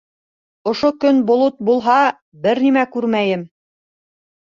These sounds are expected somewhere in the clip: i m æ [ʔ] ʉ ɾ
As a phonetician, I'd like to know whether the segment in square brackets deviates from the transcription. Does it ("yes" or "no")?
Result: yes